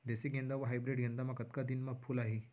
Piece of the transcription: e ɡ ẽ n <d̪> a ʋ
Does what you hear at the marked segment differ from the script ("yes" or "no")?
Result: no